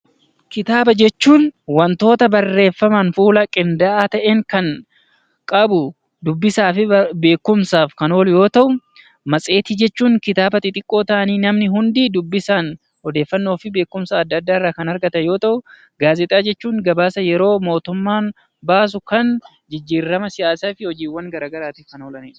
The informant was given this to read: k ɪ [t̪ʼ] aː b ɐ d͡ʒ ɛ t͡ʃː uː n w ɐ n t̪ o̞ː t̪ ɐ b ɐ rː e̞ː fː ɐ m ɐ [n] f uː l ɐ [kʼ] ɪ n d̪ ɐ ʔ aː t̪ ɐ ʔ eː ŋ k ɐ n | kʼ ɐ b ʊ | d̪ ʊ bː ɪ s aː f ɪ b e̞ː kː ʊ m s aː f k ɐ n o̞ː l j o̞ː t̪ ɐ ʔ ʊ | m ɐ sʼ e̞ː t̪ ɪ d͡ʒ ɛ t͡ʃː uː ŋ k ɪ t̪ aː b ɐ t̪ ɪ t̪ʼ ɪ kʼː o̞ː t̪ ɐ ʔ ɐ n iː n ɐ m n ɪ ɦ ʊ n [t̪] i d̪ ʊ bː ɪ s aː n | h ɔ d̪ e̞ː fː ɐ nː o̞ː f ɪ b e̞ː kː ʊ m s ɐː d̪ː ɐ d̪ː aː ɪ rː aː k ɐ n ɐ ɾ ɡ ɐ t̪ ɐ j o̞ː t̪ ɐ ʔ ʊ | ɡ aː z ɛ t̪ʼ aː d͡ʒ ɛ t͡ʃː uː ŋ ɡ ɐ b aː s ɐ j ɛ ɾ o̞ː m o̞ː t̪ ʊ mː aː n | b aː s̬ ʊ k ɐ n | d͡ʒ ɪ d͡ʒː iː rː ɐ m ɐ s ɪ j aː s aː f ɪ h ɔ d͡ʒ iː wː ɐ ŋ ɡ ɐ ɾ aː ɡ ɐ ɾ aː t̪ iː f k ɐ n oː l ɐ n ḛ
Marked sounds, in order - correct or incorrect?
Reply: incorrect: t̪, correct, correct, incorrect: d̪

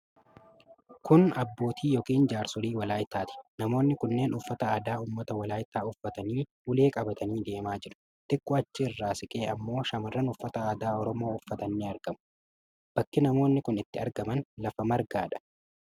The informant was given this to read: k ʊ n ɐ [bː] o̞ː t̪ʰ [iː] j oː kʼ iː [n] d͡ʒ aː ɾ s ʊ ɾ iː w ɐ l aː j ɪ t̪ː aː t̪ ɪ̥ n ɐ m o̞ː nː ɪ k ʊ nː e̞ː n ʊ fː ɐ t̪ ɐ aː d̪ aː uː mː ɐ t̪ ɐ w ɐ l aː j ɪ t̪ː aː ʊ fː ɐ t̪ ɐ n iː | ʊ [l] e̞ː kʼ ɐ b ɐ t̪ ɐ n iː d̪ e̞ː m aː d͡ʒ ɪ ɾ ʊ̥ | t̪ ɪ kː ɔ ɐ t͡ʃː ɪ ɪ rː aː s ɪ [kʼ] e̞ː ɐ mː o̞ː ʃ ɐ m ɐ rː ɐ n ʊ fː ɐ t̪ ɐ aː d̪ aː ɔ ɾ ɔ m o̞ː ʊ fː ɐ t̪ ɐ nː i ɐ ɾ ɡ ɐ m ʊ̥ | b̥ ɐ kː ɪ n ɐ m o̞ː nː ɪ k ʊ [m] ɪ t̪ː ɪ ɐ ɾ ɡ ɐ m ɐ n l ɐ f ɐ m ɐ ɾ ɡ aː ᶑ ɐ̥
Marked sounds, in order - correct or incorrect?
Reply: correct, correct, correct, correct, correct, incorrect: n

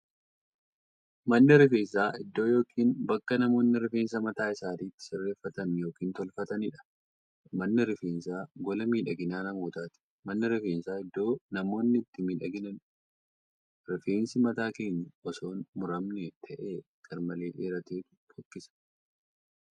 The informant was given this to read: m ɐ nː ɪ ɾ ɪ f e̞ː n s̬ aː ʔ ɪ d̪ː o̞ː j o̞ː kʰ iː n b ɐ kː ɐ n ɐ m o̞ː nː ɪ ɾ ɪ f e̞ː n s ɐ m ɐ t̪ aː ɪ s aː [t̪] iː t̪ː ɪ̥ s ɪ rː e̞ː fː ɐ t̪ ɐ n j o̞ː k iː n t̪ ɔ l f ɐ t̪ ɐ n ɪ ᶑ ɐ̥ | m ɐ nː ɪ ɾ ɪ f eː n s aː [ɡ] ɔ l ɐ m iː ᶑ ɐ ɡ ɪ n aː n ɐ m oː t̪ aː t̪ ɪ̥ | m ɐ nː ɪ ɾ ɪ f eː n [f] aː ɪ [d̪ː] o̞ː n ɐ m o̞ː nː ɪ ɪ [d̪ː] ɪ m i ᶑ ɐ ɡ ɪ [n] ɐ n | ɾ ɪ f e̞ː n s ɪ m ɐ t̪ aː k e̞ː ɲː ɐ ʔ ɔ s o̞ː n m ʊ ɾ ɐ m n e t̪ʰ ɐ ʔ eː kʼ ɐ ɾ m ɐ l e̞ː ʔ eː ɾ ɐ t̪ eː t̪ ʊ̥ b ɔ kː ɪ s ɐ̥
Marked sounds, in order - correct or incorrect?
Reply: correct, correct, incorrect: s, correct, incorrect: t̪ː, correct

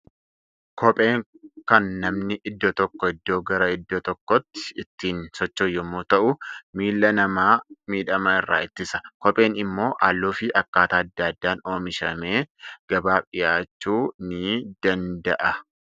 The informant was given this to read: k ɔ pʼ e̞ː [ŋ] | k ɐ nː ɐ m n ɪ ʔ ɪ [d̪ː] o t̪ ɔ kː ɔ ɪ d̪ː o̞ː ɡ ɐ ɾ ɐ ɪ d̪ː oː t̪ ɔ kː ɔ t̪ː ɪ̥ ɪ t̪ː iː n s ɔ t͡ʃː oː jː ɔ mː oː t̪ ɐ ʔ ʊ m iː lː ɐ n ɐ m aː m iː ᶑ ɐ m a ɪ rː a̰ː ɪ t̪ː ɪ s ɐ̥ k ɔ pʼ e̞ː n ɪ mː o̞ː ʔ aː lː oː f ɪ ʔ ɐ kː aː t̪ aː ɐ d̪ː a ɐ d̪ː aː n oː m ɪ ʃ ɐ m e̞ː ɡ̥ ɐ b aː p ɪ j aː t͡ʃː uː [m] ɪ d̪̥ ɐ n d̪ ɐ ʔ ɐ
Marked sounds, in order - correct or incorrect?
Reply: correct, correct, incorrect: n

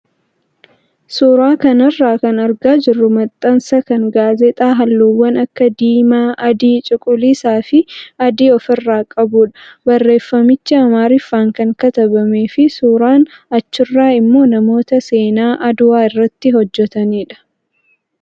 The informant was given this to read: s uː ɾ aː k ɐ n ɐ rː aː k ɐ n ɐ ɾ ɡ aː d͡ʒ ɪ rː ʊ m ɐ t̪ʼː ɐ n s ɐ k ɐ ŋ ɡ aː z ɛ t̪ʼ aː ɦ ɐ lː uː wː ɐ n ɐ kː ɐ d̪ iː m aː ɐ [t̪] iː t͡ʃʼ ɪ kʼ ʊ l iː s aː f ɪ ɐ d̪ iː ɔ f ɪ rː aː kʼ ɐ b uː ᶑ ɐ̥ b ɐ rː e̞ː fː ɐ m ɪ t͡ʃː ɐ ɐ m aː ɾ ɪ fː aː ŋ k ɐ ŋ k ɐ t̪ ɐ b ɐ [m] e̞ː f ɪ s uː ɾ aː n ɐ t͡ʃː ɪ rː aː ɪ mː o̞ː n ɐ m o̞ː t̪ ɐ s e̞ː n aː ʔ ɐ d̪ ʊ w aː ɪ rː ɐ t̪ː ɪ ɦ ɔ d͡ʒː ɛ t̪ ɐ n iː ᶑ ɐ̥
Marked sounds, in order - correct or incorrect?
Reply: incorrect: d̪, correct

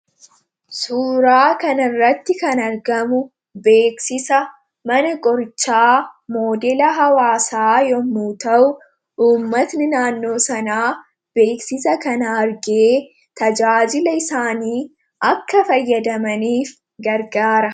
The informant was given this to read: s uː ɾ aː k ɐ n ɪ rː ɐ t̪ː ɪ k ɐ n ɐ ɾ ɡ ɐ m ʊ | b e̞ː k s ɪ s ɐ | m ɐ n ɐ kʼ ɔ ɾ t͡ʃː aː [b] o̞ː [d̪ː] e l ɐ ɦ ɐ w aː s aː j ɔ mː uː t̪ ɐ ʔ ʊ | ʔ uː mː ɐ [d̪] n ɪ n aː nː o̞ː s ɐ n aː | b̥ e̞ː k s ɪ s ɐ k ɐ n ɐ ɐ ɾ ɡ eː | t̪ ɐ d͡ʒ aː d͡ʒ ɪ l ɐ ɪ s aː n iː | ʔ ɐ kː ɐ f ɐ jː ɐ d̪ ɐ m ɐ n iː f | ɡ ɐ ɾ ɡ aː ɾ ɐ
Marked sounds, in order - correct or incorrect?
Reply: incorrect: m, incorrect: d̪, incorrect: t̪

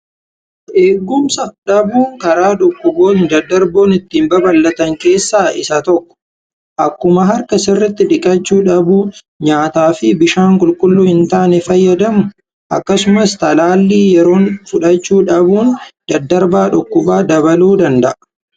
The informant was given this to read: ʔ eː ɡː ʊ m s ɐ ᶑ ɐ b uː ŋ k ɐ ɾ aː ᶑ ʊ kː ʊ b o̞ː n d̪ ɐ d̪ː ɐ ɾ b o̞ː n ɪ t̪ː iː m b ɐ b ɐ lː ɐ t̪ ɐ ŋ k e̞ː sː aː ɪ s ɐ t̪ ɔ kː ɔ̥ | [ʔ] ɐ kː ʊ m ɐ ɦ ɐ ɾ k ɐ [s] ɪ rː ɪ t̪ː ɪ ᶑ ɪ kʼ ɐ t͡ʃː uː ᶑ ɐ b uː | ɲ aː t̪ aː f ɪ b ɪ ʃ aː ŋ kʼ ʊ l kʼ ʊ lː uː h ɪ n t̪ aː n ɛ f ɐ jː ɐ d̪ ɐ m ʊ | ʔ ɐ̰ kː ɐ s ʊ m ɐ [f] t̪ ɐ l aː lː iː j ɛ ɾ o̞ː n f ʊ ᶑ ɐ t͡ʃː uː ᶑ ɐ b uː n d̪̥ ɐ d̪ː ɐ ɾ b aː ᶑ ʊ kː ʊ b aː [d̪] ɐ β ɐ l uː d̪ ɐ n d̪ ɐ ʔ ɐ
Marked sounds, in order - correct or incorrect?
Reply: correct, correct, incorrect: s, correct

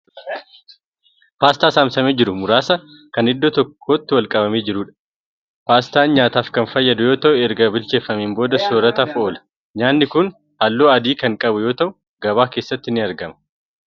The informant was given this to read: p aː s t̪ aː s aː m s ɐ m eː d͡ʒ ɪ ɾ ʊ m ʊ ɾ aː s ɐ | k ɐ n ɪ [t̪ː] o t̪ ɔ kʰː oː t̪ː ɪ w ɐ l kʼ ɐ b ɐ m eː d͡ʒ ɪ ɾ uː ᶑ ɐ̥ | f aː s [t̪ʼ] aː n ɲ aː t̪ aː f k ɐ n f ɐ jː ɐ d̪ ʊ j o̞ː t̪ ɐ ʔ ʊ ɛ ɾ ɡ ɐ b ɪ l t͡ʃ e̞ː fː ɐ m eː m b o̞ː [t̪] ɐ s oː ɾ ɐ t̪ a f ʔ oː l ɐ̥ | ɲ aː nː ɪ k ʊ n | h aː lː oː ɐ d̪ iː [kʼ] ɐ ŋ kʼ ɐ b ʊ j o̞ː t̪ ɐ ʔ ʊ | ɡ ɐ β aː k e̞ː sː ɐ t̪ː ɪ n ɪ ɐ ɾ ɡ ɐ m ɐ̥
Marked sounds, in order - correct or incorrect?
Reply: incorrect: d̪ː, incorrect: t̪, incorrect: d̪, incorrect: k

